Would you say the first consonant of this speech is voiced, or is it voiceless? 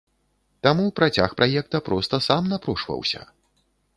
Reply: voiceless